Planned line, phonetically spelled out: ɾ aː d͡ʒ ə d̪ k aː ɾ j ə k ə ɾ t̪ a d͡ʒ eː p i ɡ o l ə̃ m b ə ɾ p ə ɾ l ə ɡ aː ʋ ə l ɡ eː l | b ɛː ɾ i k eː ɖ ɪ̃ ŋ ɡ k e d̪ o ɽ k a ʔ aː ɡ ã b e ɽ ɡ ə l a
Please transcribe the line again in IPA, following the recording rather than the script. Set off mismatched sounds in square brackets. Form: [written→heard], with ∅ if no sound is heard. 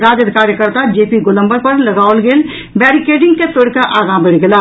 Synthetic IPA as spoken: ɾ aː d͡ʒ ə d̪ k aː ɾ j ə k ə ɾ t̪ a d͡ʒ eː p i ɡ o l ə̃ m b ə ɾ p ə ɾ l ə ɡ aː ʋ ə l ɡ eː l | b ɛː ɾ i k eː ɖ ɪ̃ ŋ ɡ k e [d̪→t̪] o ɽ k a ʔ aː ɡ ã b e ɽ ɡ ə l a